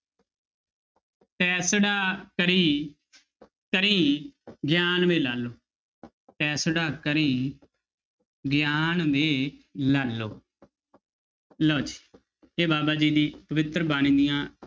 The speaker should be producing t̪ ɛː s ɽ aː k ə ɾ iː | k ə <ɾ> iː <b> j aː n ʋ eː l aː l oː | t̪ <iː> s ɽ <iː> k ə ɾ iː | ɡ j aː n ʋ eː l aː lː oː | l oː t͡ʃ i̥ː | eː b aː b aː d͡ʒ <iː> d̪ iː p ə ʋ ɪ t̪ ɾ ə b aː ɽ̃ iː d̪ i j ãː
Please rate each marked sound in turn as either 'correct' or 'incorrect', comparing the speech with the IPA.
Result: correct, incorrect, incorrect, incorrect, correct

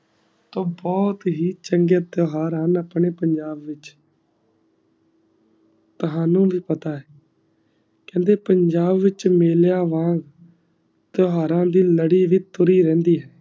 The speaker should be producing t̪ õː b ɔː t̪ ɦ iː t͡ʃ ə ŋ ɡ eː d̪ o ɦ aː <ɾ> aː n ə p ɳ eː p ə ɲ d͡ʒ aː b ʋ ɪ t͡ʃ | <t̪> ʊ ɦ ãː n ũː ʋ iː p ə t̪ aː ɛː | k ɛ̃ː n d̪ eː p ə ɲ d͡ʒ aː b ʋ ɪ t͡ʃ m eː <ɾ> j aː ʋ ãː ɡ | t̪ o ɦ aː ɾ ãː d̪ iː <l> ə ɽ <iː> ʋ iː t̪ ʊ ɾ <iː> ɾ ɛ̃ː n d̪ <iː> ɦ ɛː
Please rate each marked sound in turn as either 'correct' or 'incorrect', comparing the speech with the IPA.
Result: correct, correct, incorrect, correct, correct, correct, correct

